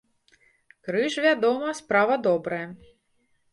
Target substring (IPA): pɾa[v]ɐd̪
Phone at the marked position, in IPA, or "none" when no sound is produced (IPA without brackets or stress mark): v